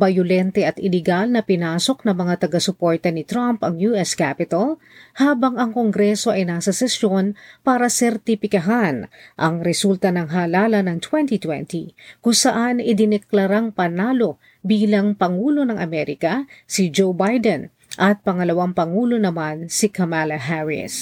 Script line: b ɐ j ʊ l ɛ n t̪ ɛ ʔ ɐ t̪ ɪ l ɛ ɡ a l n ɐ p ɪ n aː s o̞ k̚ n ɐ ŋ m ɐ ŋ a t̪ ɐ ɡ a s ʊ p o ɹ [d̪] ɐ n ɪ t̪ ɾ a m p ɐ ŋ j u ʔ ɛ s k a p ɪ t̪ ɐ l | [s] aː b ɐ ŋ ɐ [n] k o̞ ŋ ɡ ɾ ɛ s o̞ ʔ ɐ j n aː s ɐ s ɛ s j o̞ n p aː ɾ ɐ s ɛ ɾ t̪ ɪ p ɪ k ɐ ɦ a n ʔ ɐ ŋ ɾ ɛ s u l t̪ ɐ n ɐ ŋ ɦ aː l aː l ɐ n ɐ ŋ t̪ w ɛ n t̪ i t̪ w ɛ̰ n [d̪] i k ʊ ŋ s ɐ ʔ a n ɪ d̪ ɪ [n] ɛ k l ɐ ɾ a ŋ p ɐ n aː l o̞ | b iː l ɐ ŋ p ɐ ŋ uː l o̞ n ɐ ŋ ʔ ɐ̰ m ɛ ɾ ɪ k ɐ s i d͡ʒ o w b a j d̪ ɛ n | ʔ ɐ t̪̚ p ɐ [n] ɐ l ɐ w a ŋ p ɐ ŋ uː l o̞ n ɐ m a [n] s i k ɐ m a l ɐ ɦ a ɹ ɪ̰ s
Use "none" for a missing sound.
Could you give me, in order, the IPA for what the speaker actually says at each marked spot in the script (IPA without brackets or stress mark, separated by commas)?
t̪, h, ŋ, t̪, n, ŋ, n